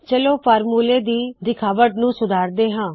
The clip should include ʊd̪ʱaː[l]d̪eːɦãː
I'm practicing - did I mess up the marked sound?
yes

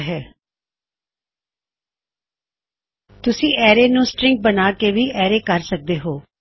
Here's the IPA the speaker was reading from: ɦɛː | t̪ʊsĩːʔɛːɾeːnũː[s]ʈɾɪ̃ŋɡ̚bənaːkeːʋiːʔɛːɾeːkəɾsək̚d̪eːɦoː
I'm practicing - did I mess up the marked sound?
no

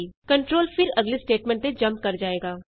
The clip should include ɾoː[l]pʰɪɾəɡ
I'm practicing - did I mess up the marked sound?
no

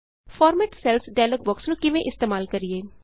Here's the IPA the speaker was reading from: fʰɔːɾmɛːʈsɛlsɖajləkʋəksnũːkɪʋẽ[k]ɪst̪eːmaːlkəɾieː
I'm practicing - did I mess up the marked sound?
yes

